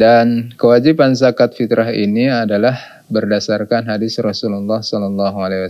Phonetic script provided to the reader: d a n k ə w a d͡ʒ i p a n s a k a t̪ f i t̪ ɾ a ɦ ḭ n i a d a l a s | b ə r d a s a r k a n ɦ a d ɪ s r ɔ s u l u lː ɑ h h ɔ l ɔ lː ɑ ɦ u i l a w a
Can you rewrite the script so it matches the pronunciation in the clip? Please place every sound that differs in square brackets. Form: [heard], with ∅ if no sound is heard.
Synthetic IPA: d a n k ə w a d͡ʒ i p a n s a k a t̪ f i t̪ ɾ a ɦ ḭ n i a d a l a [h] | b ə r d a s a r k a n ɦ a d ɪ s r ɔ s u l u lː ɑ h [s] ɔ l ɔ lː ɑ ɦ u [a] l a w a